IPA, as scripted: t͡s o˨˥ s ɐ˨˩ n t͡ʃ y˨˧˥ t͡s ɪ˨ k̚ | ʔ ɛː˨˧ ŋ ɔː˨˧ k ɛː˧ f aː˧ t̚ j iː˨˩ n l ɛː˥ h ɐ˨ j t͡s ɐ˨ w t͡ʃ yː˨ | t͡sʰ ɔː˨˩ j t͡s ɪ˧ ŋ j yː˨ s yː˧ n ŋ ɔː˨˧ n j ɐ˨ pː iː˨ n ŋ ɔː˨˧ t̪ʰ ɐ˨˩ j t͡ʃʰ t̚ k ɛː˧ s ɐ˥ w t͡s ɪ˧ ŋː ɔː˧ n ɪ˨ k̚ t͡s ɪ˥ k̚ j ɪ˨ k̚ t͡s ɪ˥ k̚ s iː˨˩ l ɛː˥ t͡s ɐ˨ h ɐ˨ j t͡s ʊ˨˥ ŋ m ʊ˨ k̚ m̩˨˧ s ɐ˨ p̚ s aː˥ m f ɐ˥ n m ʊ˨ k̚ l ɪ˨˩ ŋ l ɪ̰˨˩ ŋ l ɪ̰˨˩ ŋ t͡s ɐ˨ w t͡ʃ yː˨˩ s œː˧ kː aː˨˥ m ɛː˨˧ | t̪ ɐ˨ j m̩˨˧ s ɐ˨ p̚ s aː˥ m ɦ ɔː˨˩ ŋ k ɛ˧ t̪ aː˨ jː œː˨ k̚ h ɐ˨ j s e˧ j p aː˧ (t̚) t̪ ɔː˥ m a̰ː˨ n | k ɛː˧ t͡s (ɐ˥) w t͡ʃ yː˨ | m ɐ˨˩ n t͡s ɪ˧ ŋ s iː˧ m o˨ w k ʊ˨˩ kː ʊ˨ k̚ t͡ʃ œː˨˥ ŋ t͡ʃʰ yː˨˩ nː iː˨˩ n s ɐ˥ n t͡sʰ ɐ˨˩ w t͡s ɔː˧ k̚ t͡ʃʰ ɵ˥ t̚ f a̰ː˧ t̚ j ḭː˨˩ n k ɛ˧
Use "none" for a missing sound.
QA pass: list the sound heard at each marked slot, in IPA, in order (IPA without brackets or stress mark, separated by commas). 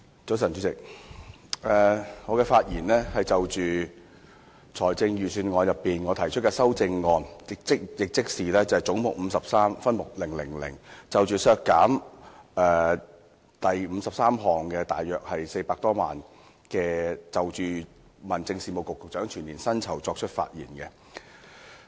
k̚, ɐ˨